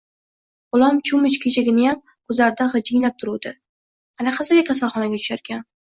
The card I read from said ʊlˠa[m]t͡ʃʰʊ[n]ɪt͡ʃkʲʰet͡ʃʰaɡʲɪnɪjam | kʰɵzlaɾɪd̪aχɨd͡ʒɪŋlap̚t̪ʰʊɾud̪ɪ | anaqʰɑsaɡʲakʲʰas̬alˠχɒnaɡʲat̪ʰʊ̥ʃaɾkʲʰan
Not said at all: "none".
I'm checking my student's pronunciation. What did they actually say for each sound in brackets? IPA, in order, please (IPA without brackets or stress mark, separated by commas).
m, m